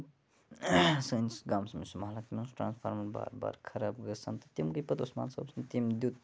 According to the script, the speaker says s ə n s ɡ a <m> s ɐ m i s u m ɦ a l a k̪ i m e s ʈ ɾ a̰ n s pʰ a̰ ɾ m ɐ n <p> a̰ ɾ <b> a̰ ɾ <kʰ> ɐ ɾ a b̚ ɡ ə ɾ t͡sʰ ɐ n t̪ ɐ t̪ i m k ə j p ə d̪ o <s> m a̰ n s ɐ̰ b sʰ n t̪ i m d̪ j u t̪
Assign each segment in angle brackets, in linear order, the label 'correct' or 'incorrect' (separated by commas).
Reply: correct, incorrect, correct, correct, correct